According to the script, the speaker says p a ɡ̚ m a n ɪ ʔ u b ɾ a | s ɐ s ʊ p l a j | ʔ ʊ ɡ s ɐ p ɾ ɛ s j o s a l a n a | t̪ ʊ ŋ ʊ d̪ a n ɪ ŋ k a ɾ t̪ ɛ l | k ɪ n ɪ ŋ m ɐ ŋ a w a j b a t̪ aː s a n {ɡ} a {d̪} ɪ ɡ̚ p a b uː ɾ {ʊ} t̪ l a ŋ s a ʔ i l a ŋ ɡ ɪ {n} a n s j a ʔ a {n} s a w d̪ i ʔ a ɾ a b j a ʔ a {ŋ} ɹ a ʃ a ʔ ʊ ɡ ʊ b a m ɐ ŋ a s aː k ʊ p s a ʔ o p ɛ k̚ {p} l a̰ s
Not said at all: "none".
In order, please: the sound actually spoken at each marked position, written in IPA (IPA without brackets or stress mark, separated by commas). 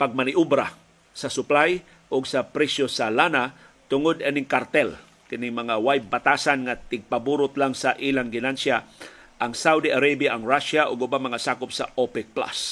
ŋ, t̪, ʊ, n, ŋ, ŋ, p